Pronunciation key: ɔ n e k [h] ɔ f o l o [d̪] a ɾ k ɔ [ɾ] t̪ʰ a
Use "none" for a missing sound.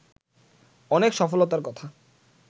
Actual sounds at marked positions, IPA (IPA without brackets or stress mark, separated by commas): ʃ, t̪, none